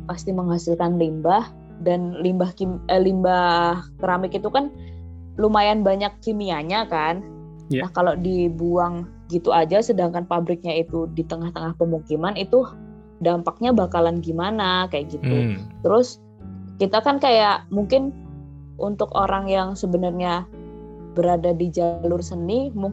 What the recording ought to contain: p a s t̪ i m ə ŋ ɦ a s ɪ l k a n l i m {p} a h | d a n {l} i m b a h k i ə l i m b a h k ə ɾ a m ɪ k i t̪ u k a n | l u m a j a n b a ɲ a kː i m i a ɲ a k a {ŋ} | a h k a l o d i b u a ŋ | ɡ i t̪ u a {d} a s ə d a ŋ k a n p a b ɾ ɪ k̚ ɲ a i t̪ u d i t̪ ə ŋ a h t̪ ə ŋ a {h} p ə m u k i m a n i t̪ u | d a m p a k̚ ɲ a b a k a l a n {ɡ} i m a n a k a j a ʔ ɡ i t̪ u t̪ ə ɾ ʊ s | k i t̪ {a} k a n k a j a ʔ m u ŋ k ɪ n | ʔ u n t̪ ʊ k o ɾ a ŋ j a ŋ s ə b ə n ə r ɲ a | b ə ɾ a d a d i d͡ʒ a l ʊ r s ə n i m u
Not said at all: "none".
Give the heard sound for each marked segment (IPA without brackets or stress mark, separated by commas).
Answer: b, l, n, d͡ʒ, h, ɡ, a